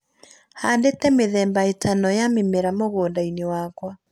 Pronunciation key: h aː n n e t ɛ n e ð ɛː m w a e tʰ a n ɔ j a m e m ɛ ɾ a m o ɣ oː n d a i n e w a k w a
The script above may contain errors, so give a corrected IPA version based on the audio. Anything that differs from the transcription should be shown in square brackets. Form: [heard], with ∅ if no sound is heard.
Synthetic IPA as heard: h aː n [d] e t ɛ [m] e ð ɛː m [b] a e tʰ a n ɔ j a m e m [e] ɾ a m o ɣ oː n d a i n e w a k w a

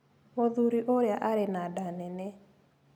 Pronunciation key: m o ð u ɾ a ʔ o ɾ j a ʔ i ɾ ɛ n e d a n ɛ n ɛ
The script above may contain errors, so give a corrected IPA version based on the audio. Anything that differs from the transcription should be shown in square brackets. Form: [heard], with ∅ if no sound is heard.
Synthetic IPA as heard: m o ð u ɾ [i] ʔ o ɾ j a ʔ [a] ɾ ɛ n [a] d a n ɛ n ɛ

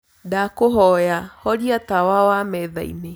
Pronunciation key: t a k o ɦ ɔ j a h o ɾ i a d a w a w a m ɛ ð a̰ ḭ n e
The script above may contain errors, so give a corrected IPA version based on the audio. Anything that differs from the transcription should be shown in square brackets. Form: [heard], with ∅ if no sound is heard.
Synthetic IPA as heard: [d] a k o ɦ ɔ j a h [ɔ] ɾ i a [t] a w a w a m ɛ ð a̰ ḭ n e

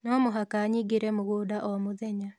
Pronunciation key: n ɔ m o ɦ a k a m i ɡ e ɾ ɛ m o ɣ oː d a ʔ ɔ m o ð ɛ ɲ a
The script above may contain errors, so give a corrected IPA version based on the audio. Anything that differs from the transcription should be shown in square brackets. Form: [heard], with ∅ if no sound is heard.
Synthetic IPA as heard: n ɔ m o ɦ a k a [ɲ] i ɡ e ɾ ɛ m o ɣ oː d a ʔ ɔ m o ð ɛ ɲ a

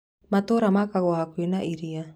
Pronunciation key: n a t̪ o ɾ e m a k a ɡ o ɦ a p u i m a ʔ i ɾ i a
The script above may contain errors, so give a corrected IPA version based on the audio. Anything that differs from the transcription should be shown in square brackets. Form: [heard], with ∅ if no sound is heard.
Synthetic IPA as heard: [m] a t̪ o ɾ [a] m a k a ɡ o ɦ a [k] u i [n] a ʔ i ɾ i a

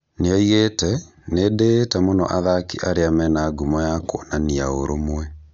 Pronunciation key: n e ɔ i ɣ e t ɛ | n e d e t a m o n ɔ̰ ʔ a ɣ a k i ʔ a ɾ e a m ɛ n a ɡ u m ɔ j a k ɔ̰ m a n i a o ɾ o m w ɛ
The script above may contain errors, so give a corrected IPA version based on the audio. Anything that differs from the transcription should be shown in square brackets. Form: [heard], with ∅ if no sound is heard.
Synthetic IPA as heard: n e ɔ i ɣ e t ɛ | n e d e t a m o n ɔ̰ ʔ a [ð] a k i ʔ a ɾ e a m ɛ n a ɡ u m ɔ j a k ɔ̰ [n] a n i a o ɾ o m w ɛ

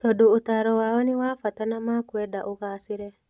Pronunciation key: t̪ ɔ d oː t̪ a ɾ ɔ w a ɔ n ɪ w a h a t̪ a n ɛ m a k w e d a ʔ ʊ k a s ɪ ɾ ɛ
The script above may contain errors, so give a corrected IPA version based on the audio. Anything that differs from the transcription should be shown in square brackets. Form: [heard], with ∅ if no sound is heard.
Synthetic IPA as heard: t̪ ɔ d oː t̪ a ɾ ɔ w a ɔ n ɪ w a [f] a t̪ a n [a] m a k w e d a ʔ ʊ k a s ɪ ɾ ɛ

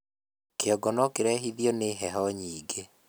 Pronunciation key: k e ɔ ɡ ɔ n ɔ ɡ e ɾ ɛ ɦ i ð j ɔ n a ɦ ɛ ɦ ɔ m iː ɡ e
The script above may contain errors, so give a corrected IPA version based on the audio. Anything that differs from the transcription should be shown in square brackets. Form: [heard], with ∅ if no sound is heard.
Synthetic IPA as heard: k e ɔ ɡ ɔ n ɔ [k] e ɾ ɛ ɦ i ð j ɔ n [e] ɦ ɛ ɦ ɔ [ɲ] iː ɡ e

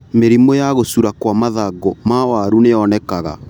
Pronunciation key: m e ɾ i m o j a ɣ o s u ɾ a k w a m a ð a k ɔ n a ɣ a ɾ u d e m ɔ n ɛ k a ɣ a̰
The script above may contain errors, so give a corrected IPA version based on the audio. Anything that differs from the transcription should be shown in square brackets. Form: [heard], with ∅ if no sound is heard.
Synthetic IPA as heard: m e ɾ i m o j a ɣ o s u ɾ a k w a m a ð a [ɡ] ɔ [m] a [w] a ɾ u [n] e [∅] ɔ n ɛ k a ɣ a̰

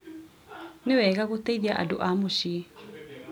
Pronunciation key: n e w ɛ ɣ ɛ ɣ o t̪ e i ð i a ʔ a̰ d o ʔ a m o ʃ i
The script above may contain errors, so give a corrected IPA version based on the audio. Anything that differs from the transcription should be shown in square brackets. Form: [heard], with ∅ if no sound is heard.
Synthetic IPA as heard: n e w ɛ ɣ [a] ɣ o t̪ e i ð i a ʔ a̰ d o ʔ a m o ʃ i

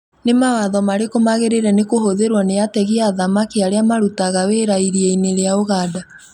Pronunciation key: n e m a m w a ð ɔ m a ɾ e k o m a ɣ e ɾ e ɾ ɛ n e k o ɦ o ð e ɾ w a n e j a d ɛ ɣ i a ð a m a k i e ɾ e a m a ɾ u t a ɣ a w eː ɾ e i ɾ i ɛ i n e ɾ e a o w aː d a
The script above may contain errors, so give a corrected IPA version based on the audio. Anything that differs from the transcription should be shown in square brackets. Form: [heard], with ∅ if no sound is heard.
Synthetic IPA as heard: n e m a [∅] w a ð ɔ m a ɾ e k o m a ɣ e ɾ e ɾ ɛ n e k o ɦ o ð e ɾ w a n e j a [t] ɛ ɣ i a ð a m a k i [a] ɾ e a m a ɾ u t a ɣ a w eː ɾ [a] i ɾ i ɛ i n e ɾ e a o [ɣ] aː d a

